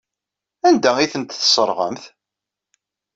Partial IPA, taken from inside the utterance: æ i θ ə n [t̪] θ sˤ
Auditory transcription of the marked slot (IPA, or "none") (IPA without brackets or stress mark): t̪